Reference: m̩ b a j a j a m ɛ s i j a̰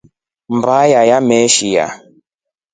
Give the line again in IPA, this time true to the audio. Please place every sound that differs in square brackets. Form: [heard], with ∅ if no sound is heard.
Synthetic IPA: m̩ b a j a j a m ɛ [ʃ] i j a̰